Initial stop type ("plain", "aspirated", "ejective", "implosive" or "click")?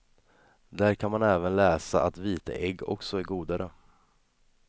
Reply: plain